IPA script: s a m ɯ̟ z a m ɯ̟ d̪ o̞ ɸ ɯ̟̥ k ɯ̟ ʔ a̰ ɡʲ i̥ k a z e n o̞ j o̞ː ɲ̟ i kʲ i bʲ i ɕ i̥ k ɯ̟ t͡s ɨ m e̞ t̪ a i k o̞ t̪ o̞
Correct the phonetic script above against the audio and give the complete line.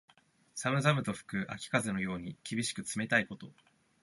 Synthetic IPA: s a m ɯ̟ z a m ɯ̟ t̪ o̞ ɸ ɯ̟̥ k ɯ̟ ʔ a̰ kʲ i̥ k a z e n o̞ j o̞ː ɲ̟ i kʲ i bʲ i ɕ i̥ k ɯ̟ t͡s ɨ m e̞ t̪ a i k o̞ t̪ o̞

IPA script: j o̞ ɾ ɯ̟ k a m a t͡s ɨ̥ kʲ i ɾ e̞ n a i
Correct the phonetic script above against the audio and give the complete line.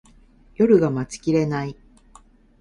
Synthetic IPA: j o̞ ɾ ɯ̟ ɡ a m a t͡s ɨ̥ kʲ i ɾ e̞ n a i

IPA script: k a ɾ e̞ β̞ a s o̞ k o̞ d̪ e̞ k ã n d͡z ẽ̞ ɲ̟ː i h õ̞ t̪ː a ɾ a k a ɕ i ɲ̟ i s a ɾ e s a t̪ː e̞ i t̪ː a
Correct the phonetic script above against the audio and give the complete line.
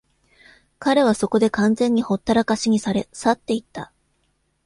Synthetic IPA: k a ɾ e̞ β̞ a s o̞ k o̞ d̪ e̞ k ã n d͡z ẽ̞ ɲ̟ː i h o̞ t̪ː a ɾ a k a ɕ i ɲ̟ i s a ɾ e s a t̪ː e̞ i t̪ː a

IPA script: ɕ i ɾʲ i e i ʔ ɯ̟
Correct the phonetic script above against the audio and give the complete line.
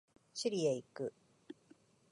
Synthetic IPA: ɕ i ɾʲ i e i k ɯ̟

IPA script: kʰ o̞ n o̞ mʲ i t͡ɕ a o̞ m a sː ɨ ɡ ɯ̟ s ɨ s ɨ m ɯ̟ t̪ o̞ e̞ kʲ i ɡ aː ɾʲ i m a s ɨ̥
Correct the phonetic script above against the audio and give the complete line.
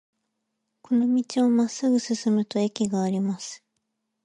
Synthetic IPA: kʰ o̞ n o̞ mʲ i t͡ɕ i o̞ m a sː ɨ ɡ ɯ̟ s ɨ s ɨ m ɯ̟ t̪ o̞ e̞ kʲ i ɡ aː ɾʲ i m a s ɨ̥

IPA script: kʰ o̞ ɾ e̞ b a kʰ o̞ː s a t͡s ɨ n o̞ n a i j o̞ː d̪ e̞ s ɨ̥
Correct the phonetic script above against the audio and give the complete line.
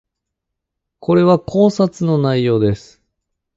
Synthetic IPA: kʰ o̞ ɾ e̞ β a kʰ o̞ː s a t͡s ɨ n o̞ n a i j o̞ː d̪ e̞ s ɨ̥

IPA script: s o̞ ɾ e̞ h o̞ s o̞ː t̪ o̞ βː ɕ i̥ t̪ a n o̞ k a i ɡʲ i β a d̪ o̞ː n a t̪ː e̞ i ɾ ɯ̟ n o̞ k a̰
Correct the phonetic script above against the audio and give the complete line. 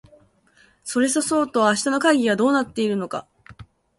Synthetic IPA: s o̞ ɾ e̞ s o̞ s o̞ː t̪ o̞ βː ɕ i̥ t̪ a n o̞ k a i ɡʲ i β a d̪ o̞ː n a t̪ː e̞ i ɾ ɯ̟ n o̞ k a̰

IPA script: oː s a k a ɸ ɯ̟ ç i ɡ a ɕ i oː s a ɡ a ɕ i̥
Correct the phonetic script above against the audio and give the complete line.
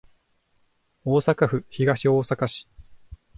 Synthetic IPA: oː s a k a ɸ ɯ̟ ç i ɡ a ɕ i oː s a k a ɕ i̥

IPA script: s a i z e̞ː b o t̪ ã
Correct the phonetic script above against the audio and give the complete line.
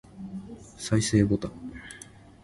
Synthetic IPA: s a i s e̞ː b o t̪ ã

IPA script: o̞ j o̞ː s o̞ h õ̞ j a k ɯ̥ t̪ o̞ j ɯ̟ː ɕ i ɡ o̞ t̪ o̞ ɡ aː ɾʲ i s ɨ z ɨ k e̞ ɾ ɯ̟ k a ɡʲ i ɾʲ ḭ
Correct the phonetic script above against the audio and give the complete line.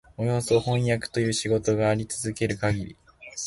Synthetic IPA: o̞ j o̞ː s o̞ h õ̞ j a k ɯ̥ t̪ o̞ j ɯ̟ː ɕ i ɡ o̞ t̪ o̞ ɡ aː ɾʲ i t͡s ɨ z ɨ k e̞ ɾ ɯ̟ k a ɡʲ i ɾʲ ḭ

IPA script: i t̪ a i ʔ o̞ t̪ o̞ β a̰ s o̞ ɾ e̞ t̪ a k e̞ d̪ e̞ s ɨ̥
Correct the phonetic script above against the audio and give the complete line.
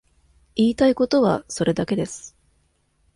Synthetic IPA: iː t̪ a i k o̞ t̪ o̞ β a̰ s o̞ ɾ e̞ d̪ a k e̞ d̪ e̞ s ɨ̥

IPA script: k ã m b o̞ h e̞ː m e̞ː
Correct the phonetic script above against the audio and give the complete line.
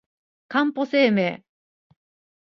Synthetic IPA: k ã m p o̞ s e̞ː m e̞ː

